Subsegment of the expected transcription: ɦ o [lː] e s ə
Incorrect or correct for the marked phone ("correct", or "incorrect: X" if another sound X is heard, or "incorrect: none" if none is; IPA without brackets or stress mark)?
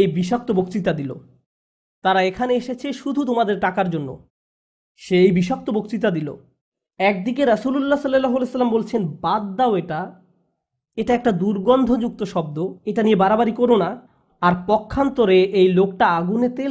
incorrect: l